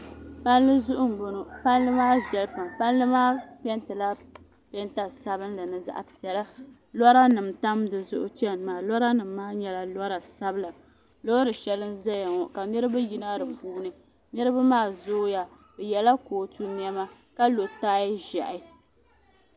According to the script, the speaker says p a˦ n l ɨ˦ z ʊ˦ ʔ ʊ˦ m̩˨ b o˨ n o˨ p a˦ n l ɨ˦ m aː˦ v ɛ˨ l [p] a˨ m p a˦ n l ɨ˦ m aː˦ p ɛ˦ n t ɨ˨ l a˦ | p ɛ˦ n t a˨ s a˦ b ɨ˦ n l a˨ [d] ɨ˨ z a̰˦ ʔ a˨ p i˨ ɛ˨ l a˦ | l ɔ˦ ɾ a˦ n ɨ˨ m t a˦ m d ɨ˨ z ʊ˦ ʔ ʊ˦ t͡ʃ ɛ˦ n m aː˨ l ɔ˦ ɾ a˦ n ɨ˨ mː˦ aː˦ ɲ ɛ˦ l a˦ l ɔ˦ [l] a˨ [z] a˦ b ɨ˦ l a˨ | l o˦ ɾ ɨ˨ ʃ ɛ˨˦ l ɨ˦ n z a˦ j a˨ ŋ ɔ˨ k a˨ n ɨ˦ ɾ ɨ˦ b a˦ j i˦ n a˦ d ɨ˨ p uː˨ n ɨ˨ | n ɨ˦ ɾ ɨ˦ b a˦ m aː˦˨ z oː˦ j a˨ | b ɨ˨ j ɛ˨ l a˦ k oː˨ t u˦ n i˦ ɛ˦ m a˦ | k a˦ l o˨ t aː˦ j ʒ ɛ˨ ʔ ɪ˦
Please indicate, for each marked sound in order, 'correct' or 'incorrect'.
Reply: correct, incorrect, incorrect, incorrect

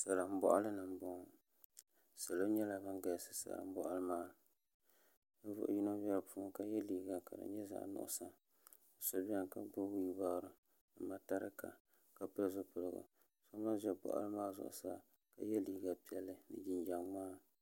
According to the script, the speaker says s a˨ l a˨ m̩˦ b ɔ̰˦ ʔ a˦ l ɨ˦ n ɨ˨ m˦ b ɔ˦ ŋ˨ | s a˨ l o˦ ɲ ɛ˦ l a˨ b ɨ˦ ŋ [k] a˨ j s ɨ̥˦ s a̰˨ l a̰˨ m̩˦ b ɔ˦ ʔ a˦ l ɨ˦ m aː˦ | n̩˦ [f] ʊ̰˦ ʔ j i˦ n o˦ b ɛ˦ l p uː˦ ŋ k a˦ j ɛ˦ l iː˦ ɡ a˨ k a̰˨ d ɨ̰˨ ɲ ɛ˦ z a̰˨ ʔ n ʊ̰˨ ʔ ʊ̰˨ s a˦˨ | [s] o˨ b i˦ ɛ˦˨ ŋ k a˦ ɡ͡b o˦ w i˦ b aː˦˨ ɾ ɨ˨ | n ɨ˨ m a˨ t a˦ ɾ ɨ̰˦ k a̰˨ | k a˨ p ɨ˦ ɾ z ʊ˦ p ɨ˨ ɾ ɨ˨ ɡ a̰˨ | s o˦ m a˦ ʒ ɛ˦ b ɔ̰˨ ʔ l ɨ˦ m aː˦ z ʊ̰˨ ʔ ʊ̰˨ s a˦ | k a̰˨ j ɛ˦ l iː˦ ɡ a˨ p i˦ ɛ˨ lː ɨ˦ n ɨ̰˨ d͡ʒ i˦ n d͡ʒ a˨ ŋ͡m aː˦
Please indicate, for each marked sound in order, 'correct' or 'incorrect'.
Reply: incorrect, incorrect, correct

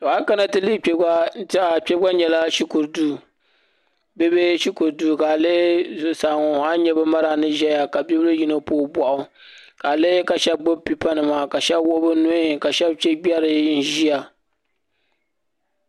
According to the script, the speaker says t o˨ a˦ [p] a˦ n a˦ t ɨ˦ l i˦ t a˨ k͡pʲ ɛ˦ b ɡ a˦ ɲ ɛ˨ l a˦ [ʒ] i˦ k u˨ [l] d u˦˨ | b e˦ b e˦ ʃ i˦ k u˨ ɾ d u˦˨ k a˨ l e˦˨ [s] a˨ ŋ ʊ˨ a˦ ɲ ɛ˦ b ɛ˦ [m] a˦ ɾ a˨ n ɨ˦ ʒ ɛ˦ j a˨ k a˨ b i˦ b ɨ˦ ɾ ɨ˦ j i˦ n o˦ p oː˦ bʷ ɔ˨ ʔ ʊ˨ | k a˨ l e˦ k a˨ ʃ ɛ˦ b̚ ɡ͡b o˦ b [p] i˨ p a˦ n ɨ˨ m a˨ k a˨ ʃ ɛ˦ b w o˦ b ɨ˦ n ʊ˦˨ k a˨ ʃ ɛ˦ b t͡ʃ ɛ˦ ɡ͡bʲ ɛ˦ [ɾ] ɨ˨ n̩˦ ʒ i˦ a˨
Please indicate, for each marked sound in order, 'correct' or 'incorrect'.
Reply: incorrect, incorrect, incorrect, correct, correct, correct, correct

